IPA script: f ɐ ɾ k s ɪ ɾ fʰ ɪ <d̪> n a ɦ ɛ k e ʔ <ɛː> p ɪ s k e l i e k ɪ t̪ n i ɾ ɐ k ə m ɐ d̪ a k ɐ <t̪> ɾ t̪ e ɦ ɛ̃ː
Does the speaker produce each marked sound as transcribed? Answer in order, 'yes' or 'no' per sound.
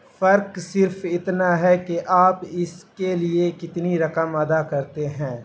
no, no, no

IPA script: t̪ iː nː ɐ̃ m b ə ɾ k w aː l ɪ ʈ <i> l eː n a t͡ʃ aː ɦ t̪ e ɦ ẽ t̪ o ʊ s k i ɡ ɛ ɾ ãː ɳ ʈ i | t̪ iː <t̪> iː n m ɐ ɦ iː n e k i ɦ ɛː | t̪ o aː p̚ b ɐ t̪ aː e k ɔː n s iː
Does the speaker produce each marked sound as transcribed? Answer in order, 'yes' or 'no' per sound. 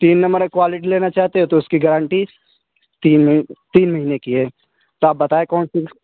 yes, yes

